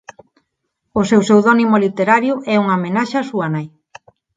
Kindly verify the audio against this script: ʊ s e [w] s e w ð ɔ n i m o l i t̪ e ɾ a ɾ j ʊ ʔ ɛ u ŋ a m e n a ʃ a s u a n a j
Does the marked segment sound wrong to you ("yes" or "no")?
no